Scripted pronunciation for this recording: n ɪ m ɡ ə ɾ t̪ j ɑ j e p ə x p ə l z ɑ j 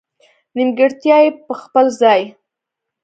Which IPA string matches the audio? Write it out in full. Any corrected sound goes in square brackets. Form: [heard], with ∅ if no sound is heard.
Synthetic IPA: n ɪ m ɡ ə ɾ t̪ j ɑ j e p ə x p ə l z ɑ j